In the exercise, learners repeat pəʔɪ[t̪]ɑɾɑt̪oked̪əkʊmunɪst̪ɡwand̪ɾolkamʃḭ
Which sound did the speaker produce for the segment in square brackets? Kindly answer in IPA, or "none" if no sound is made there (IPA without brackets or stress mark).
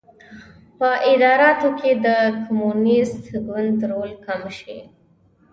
d̪